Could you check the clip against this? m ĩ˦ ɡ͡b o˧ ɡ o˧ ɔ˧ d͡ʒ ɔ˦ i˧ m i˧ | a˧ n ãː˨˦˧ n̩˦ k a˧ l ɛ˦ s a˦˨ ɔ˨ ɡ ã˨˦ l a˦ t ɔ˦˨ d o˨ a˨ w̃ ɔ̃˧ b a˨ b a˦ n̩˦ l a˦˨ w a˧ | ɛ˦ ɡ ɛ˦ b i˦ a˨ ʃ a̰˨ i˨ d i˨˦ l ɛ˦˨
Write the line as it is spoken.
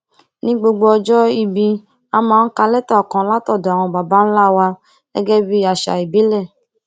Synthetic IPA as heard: n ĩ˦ ɡ͡b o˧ ɡ͡b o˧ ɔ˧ d͡ʒ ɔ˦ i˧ b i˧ | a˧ m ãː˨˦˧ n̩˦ k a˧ l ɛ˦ t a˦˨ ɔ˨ k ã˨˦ l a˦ t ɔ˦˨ d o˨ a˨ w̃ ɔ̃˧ b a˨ b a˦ n̩˦ l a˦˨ w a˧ | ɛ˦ ɡ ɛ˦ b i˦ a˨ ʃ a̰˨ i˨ b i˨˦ l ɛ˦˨